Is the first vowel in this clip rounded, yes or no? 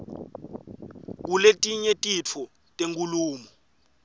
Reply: yes